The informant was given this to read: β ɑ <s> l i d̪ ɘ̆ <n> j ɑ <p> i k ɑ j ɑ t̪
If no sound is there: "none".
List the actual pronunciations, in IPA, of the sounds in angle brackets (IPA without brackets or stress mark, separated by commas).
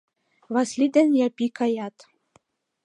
s, n, p